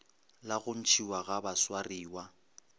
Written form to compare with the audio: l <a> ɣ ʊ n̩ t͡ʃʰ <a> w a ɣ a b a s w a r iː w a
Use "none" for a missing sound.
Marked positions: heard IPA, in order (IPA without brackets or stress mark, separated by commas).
a, i